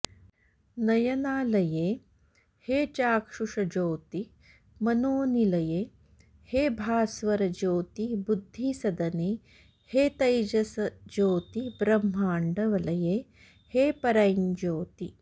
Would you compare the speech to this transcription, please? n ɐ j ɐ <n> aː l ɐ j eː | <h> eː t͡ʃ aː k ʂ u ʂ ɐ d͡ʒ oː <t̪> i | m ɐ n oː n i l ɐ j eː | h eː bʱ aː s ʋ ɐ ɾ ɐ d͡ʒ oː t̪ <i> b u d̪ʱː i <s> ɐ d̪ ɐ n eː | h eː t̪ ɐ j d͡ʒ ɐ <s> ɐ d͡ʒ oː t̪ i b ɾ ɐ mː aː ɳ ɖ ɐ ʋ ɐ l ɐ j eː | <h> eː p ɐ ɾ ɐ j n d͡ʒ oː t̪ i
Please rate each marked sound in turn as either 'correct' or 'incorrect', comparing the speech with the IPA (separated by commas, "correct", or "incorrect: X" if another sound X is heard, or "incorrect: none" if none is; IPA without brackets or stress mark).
correct, correct, correct, correct, correct, correct, correct